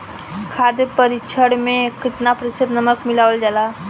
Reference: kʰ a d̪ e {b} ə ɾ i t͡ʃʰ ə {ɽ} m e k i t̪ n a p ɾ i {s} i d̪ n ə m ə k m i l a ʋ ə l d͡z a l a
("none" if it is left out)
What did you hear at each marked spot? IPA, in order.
p, ɽ, s

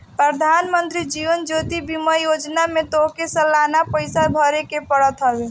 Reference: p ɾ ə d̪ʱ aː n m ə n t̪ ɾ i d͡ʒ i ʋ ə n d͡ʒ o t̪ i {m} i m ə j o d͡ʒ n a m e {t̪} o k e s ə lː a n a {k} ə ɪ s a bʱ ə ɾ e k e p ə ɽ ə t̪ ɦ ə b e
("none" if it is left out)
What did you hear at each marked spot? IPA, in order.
b, t̪, p

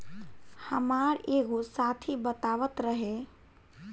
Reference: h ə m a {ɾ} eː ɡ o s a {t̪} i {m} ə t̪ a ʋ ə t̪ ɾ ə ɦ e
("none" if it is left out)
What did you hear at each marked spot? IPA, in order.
ɾ, t̪ʰ, b

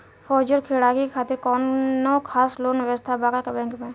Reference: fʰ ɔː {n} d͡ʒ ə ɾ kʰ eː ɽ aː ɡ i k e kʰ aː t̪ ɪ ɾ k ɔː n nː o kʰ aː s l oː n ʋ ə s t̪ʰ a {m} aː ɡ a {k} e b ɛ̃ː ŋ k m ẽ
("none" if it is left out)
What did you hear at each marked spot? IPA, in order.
none, b, k

